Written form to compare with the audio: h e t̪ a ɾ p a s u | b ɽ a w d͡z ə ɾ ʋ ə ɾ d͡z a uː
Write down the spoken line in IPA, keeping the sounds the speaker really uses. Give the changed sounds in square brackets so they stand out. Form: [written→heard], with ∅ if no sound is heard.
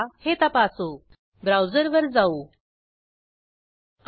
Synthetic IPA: h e t̪ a [ɾ→∅] p a s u | b [ɽ→ɾ] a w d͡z ə ɾ ʋ ə ɾ d͡z a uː